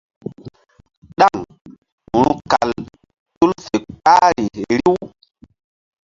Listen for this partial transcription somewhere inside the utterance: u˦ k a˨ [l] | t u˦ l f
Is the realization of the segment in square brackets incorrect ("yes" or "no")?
no